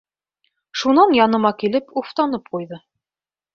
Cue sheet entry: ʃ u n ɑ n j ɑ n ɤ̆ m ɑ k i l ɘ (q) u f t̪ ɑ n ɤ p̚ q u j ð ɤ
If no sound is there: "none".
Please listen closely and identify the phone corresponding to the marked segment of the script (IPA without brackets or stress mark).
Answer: p